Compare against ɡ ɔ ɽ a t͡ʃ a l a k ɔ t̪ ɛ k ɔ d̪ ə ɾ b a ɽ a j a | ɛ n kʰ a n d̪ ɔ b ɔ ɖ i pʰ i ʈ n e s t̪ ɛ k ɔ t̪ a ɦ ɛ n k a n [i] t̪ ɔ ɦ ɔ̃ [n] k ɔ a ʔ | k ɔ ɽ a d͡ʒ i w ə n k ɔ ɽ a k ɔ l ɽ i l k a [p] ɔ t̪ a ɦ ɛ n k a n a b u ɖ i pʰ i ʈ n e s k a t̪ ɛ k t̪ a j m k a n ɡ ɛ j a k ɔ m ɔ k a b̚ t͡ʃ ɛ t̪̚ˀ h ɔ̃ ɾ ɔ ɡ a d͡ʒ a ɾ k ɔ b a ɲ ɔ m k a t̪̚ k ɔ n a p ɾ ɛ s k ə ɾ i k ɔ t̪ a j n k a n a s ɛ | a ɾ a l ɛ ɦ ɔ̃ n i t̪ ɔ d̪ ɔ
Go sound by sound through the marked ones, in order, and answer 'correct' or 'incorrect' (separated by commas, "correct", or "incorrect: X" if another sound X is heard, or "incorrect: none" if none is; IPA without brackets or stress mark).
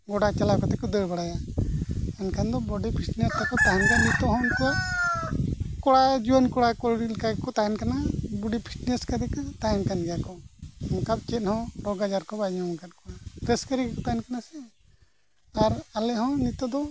correct, correct, incorrect: k